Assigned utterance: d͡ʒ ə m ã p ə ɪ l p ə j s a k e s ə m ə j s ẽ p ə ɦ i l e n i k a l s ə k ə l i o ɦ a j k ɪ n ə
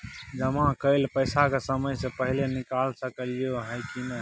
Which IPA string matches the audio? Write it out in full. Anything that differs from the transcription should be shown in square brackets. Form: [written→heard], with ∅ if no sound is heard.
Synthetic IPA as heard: d͡ʒ ə m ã [p→k] ə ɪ l p ə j s a k e s ə m ə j s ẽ p ə ɦ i l e n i k a l s ə k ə l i o ɦ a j k [ɪ→i] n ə